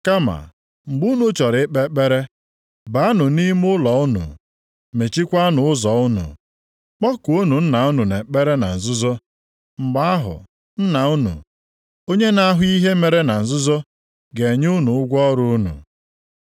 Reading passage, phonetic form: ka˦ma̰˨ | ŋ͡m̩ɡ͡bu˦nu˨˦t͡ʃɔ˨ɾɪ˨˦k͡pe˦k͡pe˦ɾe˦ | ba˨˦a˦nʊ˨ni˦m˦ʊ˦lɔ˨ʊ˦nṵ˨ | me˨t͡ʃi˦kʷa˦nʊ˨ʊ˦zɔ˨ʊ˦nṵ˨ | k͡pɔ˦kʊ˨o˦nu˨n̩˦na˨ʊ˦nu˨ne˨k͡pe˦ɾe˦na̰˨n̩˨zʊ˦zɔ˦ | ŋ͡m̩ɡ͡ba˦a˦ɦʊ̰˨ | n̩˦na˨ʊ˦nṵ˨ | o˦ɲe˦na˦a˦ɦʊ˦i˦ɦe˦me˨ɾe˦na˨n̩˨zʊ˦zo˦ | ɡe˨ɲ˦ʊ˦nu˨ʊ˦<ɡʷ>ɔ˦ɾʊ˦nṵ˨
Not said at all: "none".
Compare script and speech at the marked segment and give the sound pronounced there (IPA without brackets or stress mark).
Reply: ɡʷ